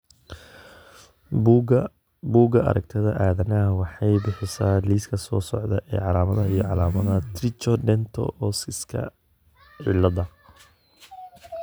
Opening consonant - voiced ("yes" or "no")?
yes